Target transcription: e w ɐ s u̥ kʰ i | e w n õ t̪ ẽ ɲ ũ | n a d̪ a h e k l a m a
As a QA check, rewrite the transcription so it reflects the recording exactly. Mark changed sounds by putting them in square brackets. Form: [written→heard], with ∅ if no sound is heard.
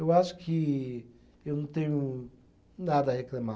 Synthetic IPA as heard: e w [ɐ→a] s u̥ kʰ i | e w n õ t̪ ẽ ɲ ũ | n a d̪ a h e k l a m a